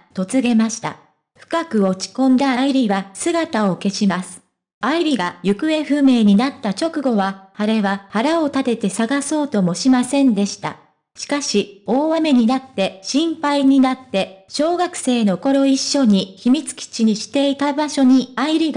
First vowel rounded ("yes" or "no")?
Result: yes